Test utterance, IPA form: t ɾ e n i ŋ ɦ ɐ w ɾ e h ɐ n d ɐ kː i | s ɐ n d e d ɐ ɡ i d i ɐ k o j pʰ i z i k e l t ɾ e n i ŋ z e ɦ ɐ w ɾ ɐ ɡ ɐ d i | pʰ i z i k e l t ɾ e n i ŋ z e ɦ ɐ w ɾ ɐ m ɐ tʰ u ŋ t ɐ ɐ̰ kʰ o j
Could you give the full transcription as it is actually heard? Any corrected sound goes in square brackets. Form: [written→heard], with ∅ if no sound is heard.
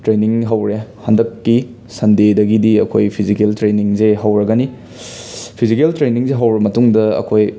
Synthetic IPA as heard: t ɾ e n i ŋ ɦ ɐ w ɾ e h ɐ n d ɐ kː i | s ɐ n d e d ɐ ɡ i d i ɐ [k→kʰ] o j pʰ i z i k e l t ɾ e n i ŋ z e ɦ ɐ w ɾ ɐ ɡ ɐ [d→n] i | pʰ i z i k e l t ɾ e n i ŋ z e ɦ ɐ w ɾ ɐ m ɐ [tʰ→t] u ŋ [t→d] ɐ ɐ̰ kʰ o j

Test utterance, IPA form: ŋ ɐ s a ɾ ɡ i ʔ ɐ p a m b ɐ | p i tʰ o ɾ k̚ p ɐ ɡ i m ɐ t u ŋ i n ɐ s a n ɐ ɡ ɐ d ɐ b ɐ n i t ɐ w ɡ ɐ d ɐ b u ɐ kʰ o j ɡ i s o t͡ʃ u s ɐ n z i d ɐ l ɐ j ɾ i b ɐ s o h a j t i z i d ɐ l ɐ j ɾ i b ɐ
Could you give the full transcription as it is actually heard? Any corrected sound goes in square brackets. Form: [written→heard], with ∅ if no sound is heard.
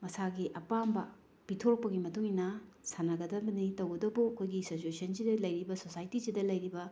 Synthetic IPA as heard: [ŋ→m] ɐ s a [ɾ→∅] ɡ i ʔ ɐ p a m b ɐ | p i tʰ o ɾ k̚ p ɐ ɡ i m ɐ t u ŋ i n ɐ s a n ɐ ɡ ɐ d ɐ b ɐ n i t ɐ w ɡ ɐ d ɐ b u ɐ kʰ o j ɡ i s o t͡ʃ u s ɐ n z i d ɐ l ɐ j ɾ i b ɐ s o [h→s] a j t i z i d ɐ l ɐ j ɾ i b ɐ

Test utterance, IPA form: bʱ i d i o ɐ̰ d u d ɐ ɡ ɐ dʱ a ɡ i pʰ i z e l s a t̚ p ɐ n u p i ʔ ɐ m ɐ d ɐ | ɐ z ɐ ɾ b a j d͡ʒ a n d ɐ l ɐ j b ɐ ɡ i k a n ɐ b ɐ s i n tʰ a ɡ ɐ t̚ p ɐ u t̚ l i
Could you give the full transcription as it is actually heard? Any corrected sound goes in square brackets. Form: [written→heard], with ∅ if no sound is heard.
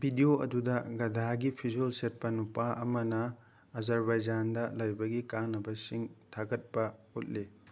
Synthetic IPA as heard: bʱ i d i o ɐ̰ d u d ɐ ɡ ɐ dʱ a ɡ i pʰ i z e l s [a→e] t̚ p ɐ n u p [i→a] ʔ ɐ m ɐ [d→n] ɐ | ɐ z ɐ ɾ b a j d͡ʒ a n d ɐ l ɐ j b ɐ ɡ i k a n ɐ b ɐ s i [n→ŋ] tʰ a ɡ ɐ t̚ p ɐ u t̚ l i

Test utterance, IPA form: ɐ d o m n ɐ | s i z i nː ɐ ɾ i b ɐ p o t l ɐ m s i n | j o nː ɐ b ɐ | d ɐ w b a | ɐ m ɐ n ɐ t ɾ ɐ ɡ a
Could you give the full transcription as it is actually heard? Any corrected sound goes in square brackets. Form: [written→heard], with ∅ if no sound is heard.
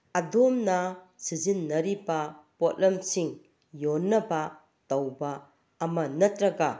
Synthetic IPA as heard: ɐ d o m n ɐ | s i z i nː ɐ ɾ i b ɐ p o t l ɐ m s i [n→ŋ] | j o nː ɐ b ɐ | [d→t] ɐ w b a | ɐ m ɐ n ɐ t ɾ ɐ ɡ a

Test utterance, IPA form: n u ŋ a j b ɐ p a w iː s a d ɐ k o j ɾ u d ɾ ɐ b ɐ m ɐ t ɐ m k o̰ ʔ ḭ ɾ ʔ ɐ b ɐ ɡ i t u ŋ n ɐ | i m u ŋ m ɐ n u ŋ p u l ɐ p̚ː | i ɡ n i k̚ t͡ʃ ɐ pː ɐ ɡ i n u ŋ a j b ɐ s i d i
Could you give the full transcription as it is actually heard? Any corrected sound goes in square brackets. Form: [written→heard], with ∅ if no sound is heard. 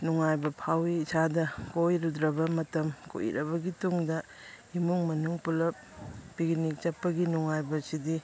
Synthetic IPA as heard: n u ŋ a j b ɐ [p→pʰ] a w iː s a d ɐ k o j ɾ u d ɾ ɐ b ɐ m ɐ t ɐ m k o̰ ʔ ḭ ɾ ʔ ɐ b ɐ ɡ i t u ŋ [n→d] ɐ | i m u ŋ m ɐ n u ŋ p u l ɐ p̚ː | i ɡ n i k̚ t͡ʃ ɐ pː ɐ ɡ i n u ŋ a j b ɐ s i d i

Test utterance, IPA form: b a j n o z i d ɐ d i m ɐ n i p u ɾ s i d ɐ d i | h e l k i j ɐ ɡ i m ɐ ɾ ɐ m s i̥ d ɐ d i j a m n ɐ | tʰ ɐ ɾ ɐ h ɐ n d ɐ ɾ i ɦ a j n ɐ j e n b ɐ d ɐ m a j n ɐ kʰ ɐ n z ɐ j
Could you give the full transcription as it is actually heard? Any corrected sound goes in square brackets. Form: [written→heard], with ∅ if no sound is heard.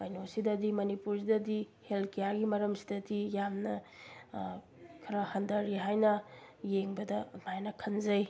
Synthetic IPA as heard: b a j n o [z→s] i d ɐ d i m ɐ n i p u ɾ s i d ɐ d i | h e l k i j [ɐ→a] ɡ i m ɐ ɾ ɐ m s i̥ d ɐ d i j a m n ɐ | [tʰ→kʰ] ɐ ɾ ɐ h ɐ n d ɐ ɾ i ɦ a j n ɐ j e [n→ŋ] b ɐ d ɐ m a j n ɐ kʰ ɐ n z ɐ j

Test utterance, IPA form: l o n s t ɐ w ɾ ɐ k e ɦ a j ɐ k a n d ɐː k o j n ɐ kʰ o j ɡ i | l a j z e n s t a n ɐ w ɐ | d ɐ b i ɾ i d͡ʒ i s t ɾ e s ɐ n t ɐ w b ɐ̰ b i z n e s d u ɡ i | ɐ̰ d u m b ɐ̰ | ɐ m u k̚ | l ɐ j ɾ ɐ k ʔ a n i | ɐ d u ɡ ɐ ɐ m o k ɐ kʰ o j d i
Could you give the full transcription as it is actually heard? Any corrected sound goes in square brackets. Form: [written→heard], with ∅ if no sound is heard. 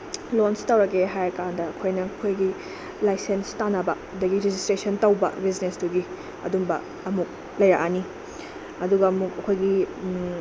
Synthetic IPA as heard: l o n s t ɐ w ɾ ɐ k e ɦ a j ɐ k a n d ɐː [k→kʰ] o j n ɐ kʰ o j ɡ i | l a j [z→s] e n s t a n ɐ [w→b] ɐ | d ɐ [b→ɡ] i ɾ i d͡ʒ i s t ɾ e s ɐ n t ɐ w b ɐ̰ b i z n e s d u ɡ i | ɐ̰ d u m b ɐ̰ | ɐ m u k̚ | l ɐ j ɾ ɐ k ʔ a n i | ɐ d u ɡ ɐ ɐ m [o→u] k ɐ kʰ o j [d→ɡ] i

